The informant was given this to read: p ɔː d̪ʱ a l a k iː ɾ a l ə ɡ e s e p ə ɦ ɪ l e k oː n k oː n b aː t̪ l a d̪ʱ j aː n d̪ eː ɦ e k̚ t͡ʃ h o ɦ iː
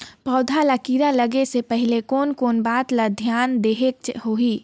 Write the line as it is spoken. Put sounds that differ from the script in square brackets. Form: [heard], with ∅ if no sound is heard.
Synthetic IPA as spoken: p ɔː d̪ʱ a l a k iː ɾ a l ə ɡ e s e p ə ɦ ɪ l e k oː n k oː n b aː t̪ l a d̪ʱ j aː n d̪ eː ɦ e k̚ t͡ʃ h o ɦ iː